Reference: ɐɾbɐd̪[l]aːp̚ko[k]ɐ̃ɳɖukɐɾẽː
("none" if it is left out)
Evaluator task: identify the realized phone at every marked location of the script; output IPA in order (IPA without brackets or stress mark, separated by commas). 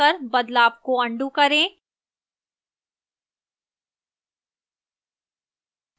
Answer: l, none